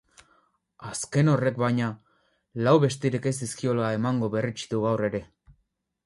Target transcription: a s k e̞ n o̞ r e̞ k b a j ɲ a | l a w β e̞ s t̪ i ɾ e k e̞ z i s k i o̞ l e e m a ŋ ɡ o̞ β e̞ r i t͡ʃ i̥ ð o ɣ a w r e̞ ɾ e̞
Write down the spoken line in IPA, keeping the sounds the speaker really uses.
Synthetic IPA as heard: a s k e̞ n o̞ r e̞ k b a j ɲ a | l a w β e̞ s t̪ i ɾ e k e̞ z i s k i o̞ l a e m a ŋ ɡ o̞ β e̞ r i t͡ʃ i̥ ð u ɣ a w r e̞ ɾ e̞